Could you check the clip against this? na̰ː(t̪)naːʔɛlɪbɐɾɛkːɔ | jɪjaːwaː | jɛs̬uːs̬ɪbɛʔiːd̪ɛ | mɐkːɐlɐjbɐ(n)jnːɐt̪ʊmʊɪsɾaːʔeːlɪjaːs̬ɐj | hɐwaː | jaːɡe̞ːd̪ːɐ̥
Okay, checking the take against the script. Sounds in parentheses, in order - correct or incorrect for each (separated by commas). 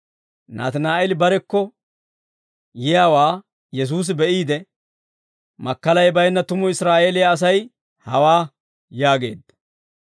correct, incorrect